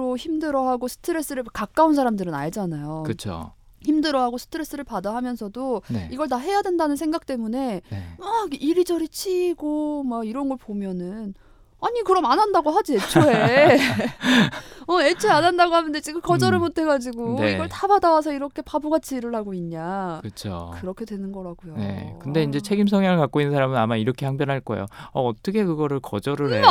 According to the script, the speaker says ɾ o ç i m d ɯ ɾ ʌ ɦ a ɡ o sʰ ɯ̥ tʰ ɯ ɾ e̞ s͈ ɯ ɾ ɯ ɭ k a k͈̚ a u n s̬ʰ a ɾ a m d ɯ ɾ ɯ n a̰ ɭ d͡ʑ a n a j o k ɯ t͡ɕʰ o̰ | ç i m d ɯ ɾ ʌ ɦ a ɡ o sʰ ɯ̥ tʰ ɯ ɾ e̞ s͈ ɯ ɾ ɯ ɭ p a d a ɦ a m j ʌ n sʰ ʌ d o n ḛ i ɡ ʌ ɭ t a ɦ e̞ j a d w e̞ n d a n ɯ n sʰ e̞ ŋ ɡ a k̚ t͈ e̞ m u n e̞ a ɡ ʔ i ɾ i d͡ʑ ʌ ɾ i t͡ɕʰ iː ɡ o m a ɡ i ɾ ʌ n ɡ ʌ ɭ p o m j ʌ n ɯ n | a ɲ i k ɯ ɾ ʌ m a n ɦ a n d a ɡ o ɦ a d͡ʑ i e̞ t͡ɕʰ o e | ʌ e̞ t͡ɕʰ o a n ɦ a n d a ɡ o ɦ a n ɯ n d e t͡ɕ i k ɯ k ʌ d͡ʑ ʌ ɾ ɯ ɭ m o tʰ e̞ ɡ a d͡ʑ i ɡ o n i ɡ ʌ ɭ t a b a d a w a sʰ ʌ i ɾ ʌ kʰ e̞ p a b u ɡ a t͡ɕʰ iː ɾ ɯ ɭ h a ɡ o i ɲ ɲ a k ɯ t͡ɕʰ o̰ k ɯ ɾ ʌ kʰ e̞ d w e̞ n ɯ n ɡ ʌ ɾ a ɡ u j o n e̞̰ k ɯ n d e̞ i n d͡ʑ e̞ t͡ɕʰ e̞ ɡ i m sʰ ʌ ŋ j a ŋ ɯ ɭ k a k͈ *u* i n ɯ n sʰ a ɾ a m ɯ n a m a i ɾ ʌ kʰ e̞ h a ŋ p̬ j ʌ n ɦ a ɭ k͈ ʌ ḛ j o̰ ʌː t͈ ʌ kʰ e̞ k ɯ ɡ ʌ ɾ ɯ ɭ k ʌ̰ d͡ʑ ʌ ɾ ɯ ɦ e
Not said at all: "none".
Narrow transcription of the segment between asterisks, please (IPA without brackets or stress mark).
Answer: o